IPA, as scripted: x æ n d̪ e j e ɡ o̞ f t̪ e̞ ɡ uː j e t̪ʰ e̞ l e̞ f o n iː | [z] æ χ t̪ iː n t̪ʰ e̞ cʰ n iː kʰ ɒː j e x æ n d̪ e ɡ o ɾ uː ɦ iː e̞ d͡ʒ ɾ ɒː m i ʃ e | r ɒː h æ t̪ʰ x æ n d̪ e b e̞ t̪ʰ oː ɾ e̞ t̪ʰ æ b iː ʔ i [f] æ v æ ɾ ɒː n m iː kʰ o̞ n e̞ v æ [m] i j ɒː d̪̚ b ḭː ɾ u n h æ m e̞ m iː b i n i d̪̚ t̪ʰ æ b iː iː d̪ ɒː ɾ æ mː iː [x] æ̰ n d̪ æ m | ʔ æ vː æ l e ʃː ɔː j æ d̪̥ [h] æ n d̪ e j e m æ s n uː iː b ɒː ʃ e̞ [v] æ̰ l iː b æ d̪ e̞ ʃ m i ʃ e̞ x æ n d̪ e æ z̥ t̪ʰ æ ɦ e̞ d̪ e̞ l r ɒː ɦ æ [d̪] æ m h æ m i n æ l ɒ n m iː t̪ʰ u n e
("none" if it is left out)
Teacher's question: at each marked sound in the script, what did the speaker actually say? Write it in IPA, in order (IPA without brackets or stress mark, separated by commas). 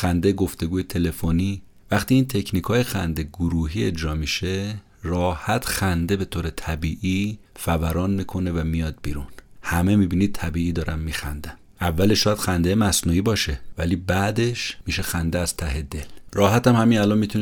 v, f, m, x, x, v, t̪